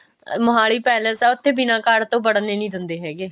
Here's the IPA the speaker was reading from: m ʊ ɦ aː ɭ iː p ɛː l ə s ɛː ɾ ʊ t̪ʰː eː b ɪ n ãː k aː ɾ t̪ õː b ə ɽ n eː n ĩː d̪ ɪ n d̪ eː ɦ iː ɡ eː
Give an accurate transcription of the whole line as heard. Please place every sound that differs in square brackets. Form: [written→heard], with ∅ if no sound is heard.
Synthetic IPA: m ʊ ɦ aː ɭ iː p ɛː l ə s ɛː [ɾ→∅] ʊ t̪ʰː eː b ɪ n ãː k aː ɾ t̪ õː b ə ɽ n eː n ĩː d̪ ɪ n d̪ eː ɦ [iː→ɛː] ɡ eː